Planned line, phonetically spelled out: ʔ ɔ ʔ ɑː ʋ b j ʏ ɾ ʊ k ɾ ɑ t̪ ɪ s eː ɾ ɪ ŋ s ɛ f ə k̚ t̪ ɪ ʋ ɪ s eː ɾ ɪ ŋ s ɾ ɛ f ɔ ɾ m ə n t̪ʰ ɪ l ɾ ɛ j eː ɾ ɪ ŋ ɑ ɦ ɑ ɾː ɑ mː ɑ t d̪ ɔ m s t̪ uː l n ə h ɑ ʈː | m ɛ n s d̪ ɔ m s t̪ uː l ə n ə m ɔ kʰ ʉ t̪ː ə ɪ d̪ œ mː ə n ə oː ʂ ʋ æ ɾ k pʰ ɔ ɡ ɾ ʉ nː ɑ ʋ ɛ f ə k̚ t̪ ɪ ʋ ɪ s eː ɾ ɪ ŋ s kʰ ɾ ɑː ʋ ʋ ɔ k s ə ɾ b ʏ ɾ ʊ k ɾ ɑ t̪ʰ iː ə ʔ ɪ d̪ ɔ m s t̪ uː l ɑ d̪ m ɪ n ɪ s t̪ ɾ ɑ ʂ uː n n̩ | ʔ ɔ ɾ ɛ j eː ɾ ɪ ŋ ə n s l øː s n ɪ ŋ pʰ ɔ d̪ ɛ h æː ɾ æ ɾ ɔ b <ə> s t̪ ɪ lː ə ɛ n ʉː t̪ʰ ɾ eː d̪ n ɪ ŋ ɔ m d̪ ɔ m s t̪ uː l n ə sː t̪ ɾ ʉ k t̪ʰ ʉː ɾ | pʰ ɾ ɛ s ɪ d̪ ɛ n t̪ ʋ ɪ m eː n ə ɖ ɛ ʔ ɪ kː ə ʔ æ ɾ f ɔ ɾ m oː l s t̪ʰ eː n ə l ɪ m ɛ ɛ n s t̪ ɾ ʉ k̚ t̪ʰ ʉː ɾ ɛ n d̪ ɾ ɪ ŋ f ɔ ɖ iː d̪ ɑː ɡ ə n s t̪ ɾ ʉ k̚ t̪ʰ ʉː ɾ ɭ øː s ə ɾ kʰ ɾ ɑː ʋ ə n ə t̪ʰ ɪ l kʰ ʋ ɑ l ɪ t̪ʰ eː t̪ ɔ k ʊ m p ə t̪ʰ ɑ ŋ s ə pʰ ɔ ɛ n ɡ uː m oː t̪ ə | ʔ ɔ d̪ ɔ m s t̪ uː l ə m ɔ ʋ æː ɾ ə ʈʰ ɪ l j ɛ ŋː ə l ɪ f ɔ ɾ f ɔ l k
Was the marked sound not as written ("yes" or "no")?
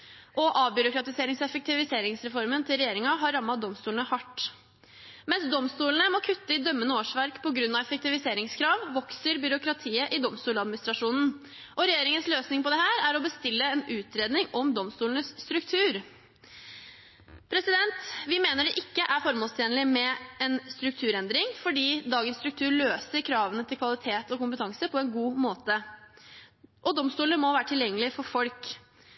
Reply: no